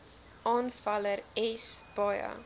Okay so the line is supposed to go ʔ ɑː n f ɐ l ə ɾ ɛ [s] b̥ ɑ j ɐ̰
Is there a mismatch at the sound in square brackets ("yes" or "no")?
no